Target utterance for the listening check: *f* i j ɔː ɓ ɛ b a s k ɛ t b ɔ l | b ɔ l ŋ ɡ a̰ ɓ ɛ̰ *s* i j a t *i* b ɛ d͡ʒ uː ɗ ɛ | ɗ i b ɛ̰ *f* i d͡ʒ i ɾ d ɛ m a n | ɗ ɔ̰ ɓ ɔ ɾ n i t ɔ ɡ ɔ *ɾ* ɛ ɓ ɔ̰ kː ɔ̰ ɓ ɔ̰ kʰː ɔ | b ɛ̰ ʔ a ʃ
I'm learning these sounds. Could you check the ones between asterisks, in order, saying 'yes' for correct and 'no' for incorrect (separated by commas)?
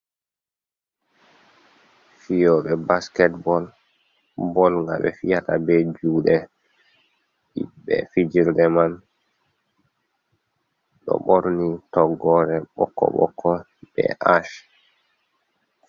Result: yes, no, no, yes, yes